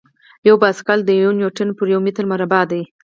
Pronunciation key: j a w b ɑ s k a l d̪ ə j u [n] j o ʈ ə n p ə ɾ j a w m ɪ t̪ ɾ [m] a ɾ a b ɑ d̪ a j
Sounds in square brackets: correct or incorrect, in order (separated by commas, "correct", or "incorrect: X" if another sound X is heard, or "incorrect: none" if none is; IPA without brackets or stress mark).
correct, correct